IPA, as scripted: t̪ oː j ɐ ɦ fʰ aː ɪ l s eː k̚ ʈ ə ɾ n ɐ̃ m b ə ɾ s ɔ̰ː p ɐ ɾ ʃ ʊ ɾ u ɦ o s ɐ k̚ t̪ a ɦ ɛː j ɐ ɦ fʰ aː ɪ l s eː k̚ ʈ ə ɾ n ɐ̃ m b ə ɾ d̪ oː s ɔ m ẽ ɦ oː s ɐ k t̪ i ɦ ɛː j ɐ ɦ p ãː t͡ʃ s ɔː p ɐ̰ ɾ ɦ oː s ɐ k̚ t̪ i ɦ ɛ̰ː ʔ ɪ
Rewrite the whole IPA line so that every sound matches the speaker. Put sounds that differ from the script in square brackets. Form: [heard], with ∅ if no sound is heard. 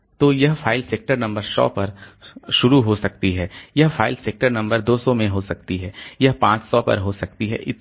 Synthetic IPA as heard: t̪ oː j ɐ ɦ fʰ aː ɪ l s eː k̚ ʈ ə ɾ n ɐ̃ m b ə ɾ s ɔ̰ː p ɐ ɾ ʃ ʊ ɾ u ɦ o s ɐ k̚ t̪ [i] ɦ ɛː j ɐ ɦ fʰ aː ɪ l s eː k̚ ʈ ə ɾ n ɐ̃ m b ə ɾ d̪ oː s ɔ m ẽ ɦ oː s ɐ k t̪ i ɦ ɛː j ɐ ɦ p ãː t͡ʃ s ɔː p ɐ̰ ɾ ɦ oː s ɐ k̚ t̪ i ɦ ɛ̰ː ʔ ɪ